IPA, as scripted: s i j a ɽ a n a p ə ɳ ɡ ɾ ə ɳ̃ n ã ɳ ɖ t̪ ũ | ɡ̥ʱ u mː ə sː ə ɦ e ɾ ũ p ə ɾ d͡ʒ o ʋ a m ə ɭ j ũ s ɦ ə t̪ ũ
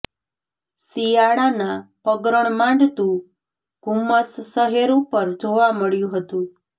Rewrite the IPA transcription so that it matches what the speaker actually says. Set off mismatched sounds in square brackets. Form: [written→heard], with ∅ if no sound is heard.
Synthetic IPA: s i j a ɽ a n a p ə [ɳ→∅] ɡ ɾ ə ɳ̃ [n→m] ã ɳ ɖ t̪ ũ | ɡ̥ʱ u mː ə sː ə ɦ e ɾ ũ p ə ɾ d͡ʒ o ʋ a m ə ɭ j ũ [s→∅] ɦ ə t̪ ũ